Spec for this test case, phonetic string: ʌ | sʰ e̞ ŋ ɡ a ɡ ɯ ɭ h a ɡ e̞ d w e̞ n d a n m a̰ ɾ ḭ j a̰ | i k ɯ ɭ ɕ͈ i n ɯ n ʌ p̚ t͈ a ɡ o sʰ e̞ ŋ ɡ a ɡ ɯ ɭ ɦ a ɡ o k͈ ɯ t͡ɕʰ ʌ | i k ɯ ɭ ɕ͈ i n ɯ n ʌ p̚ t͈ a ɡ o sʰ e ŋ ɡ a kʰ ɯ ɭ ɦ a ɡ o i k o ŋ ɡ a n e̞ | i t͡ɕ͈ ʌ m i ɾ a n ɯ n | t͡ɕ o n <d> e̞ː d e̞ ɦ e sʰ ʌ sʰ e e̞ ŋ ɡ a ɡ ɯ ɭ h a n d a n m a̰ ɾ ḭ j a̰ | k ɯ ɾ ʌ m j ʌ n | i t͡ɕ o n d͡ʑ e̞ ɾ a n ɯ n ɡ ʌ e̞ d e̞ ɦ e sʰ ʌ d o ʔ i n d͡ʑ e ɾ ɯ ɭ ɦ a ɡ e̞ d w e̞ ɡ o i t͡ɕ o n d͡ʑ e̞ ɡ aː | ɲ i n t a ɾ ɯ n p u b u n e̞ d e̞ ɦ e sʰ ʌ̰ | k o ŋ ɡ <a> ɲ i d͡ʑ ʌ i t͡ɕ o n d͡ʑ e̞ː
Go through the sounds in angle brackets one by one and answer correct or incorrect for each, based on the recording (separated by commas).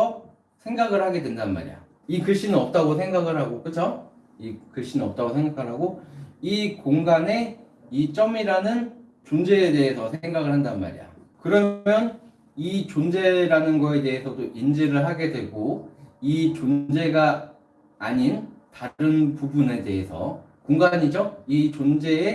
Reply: incorrect, correct